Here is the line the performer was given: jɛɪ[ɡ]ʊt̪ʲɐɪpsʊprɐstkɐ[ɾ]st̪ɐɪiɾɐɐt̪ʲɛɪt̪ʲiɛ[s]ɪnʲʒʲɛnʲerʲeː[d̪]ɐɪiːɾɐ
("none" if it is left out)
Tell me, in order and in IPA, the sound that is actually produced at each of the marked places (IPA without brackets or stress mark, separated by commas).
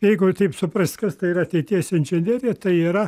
ɡ, none, s, t̪